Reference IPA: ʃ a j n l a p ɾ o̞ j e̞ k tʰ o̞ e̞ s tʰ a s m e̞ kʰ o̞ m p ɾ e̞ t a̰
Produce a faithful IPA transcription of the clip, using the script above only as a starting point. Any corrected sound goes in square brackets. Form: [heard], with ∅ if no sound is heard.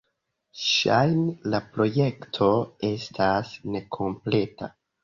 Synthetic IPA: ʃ a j n l a p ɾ o̞ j e̞ k tʰ o̞ e̞ s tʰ a s [n] e̞ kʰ o̞ m p [l] e̞ t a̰